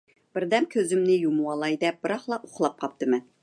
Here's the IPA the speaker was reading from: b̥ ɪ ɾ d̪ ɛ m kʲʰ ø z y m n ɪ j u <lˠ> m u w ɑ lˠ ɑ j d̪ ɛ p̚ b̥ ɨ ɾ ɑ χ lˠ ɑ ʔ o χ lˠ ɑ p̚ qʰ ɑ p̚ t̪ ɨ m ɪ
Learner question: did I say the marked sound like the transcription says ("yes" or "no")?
no